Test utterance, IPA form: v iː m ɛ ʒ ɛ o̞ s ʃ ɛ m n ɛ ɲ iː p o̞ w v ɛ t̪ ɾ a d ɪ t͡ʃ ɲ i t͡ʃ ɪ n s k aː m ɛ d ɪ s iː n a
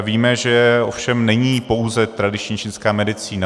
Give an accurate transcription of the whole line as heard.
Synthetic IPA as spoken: v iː m ɛ ʒ ɛ o̞ f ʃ ɛ m n ɛ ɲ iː p o̞ w z ɛ t̪ ɾ a d ɪ t͡ʃ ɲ i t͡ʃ ɪ n s k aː m ɛ d ɪ t͡s iː n a

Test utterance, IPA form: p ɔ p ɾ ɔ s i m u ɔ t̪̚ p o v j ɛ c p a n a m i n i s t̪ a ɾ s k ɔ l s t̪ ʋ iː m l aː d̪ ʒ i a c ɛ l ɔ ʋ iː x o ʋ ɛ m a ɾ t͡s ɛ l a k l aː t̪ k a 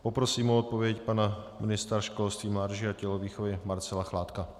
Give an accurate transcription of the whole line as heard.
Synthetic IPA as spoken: p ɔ p ɾ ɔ s iː m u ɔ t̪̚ p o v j ɛ c p a n a m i n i s t̪ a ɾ ʃ k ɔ l s t̪ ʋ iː m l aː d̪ ʒ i a c ɛ l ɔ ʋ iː x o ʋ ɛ m a ɾ t͡s ɛ l a x l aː t̪ k a

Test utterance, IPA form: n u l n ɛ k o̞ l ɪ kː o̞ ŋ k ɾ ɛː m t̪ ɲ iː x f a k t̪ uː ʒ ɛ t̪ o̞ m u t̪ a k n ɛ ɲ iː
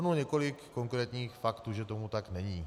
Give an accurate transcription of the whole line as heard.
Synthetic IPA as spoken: n u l ɲ ɛ k o̞ l ɪ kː o̞ ŋ k ɾ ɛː t̪ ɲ iː x f a k t̪ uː ʒ ɛ t̪ o̞ m u t̪ a k n ɛ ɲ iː

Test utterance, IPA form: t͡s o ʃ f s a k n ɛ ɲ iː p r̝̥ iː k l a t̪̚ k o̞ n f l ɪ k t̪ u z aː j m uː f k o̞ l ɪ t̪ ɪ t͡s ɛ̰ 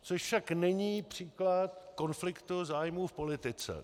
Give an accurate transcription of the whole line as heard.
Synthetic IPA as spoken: t͡s o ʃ f ʃ a k n ɛ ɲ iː p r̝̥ iː k l a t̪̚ k o̞ n f l ɪ k t̪ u z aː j m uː f p o̞ l ɪ t̪ ɪ t͡s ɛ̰

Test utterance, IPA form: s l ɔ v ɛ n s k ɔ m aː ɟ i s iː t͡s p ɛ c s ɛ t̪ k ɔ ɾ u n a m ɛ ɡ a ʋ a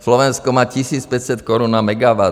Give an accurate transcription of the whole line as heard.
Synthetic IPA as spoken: s l ɔ ʋ ɛ n s k ɔ m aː c i s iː t͡s p ɛ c s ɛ t̪ k ɔ ɾ u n a m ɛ ɡ a ʋ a

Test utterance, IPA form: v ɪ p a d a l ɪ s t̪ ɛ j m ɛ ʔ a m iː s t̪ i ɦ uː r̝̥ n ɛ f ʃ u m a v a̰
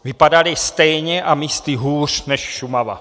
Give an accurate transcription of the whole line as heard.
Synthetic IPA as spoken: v ɪ p a d a l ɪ s t̪ ɛ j ɲ ɛ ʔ a m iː s t̪ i ɦ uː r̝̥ n ɛ ʃ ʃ u m a v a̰

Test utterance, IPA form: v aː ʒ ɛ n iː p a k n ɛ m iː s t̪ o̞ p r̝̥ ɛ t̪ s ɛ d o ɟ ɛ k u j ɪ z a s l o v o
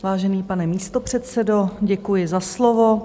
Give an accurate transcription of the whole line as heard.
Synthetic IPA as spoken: v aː ʒ ɛ n iː p a n ɛ m iː s t̪ o̞ p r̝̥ ɛ t̪ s ɛ d o ɟ ɛ k u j ɪ z a s l o v o

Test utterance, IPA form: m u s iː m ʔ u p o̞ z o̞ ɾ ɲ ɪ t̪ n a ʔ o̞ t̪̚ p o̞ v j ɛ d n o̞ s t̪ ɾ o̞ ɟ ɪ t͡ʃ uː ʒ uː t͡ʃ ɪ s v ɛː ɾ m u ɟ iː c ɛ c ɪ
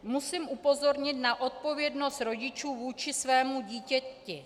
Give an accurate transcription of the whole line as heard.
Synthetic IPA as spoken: m u s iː m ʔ u p o̞ z o̞ ɾ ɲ ɪ t̪ n a ʔ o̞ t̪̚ p o̞ v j ɛ d n o̞ s t̪ ɾ o̞ ɟ ɪ t͡ʃ uː v uː t͡ʃ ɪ s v ɛː m u ɟ iː c ɛ c ɪ

